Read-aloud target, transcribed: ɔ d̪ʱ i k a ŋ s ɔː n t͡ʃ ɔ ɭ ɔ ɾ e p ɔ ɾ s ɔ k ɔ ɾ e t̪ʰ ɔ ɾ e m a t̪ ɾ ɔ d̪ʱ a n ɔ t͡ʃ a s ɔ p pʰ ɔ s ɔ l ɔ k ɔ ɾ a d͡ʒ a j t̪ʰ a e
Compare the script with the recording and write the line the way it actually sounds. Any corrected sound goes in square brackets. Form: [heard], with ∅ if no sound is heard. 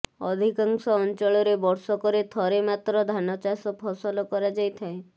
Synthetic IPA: ɔ d̪ʱ i k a ŋ s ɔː n t͡ʃ ɔ ɭ ɔ ɾ e [b] ɔ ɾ s ɔ k ɔ ɾ e t̪ʰ ɔ ɾ e m a t̪ ɾ ɔ d̪ʱ a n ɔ t͡ʃ a s ɔ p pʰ ɔ s ɔ l ɔ k ɔ ɾ a d͡ʒ a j t̪ʰ a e

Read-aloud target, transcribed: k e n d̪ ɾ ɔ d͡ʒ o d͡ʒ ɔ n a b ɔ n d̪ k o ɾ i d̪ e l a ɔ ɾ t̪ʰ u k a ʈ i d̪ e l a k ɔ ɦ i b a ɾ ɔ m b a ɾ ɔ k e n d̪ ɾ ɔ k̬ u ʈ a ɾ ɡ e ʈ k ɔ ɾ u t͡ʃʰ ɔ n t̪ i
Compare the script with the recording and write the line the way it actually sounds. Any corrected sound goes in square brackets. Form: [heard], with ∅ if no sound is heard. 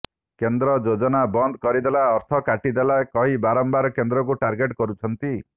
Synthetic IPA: k e n d̪ ɾ ɔ d͡ʒ o d͡ʒ ɔ n a b ɔ n d̪ k [ɔ] ɾ i d̪ e l a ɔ ɾ t̪ʰ [ɔ] k a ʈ i d̪ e l a k ɔ ɦ i b a ɾ ɔ m b a ɾ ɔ k e n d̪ ɾ ɔ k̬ u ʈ a ɾ ɡ e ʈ k ɔ ɾ u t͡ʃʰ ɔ n t̪ i

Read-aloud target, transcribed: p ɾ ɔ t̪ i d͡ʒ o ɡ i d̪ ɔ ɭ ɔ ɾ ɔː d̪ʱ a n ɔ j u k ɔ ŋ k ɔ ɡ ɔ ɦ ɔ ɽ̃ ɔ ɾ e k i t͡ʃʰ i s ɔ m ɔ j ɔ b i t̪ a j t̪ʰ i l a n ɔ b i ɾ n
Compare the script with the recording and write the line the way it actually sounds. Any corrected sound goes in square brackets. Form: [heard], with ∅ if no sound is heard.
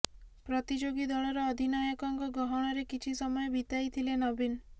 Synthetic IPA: p ɾ ɔ t̪ i d͡ʒ o ɡ i d̪ ɔ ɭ ɔ ɾ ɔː d̪ʱ [i] n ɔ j [ɔ] k ɔ ŋ k ɔ ɡ ɔ ɦ ɔ ɽ̃ ɔ ɾ e k i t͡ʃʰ i s ɔ m ɔ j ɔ b i t̪ a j t̪ʰ i l [e] n ɔ b i [∅] n

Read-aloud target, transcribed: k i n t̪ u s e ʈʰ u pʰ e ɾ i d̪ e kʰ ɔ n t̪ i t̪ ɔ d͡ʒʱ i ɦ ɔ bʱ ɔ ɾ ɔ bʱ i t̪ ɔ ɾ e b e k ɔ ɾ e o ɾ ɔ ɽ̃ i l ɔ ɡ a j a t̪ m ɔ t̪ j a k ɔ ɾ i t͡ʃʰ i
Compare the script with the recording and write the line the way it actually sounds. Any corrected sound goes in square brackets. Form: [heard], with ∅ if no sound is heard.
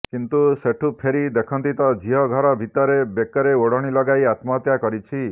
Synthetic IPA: k i n t̪ u s e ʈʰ u pʰ e ɾ i d̪ e kʰ ɔ n t̪ i t̪ ɔ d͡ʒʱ i ɦ ɔ [ɡʱ] ɔ ɾ ɔ bʱ i t̪ ɔ ɾ e b e k ɔ ɾ e o [ɽ] ɔ ɽ̃ i l ɔ ɡ a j a t̪ m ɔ t̪ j a k ɔ ɾ i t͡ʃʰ i

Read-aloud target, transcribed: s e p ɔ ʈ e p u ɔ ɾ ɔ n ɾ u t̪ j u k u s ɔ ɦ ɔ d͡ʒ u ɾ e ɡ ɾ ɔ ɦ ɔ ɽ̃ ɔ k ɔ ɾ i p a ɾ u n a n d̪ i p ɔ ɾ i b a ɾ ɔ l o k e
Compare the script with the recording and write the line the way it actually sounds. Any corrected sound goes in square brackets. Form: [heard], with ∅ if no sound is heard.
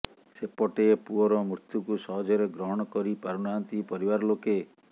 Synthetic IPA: s e p ɔ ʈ e p u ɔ ɾ ɔ [m] ɾ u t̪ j u k u s ɔ ɦ ɔ d͡ʒ [ɔ] ɾ e ɡ ɾ ɔ ɦ ɔ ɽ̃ ɔ k ɔ ɾ i p a ɾ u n a n [t̪] i p ɔ ɾ i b a ɾ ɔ l o k e

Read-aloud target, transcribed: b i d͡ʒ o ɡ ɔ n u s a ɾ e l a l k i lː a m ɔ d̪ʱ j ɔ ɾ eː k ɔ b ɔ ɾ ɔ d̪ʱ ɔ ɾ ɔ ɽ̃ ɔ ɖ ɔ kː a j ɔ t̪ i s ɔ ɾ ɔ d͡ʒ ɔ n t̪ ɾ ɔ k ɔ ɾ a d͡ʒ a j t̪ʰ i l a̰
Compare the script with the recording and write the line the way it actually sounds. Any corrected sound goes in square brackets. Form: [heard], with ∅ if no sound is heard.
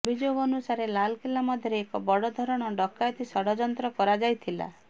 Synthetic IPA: b i d͡ʒ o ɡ ɔ n u s a ɾ e l a l k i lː a m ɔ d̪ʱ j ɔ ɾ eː k ɔ b ɔ [ɽ] ɔ d̪ʱ ɔ ɾ ɔ ɽ̃ ɔ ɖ ɔ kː a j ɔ t̪ i s ɔ [ɽ] ɔ d͡ʒ ɔ n t̪ ɾ ɔ k ɔ ɾ a d͡ʒ a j t̪ʰ i l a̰

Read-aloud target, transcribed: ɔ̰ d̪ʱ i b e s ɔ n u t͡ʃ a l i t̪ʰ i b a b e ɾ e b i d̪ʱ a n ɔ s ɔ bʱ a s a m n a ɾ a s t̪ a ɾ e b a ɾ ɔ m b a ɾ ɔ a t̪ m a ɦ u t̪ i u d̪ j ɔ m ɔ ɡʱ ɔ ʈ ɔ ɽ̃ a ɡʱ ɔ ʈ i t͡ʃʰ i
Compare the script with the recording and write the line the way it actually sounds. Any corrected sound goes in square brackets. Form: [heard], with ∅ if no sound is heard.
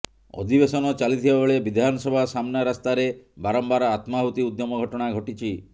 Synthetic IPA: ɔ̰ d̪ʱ i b e s ɔ n [ɔ] t͡ʃ a l i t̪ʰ i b a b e [ɭ] e b i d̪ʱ a n ɔ s ɔ bʱ a s a m n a ɾ a s t̪ a ɾ e b a ɾ ɔ m b a ɾ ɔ a t̪ m a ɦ u t̪ i u d̪ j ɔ m ɔ ɡʱ ɔ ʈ ɔ ɽ̃ a ɡʱ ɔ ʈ i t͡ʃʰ i

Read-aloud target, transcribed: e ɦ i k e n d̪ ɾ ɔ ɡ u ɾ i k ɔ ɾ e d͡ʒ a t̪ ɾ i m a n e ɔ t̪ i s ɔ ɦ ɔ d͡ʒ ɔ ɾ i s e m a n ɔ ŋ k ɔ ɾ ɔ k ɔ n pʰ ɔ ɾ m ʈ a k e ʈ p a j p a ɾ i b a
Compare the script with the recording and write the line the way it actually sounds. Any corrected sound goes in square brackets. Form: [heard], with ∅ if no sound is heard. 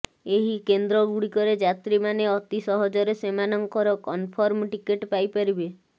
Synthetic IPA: e ɦ i k e n d̪ ɾ ɔ ɡ u [ɽ] i k ɔ ɾ e d͡ʒ a t̪ ɾ i m a n e ɔ t̪ i s ɔ ɦ ɔ d͡ʒ ɔ ɾ [e] s e m a n ɔ ŋ k ɔ ɾ ɔ k ɔ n pʰ ɔ ɾ m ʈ [i] k e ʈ p a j p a ɾ i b [e]

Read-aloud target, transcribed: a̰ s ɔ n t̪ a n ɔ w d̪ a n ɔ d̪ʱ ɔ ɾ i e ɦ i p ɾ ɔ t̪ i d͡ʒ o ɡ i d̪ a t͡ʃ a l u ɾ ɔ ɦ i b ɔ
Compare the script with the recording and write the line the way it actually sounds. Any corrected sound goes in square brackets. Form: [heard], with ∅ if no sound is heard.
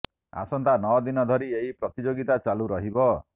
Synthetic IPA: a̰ s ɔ n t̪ a n ɔ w d̪ [i] n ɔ d̪ʱ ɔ ɾ i e ɦ i p ɾ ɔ t̪ i d͡ʒ o ɡ i [t̪] a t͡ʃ a l u ɾ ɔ ɦ i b ɔ

